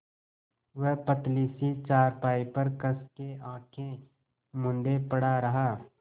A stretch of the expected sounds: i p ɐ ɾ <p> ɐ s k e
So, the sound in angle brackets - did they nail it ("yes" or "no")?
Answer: no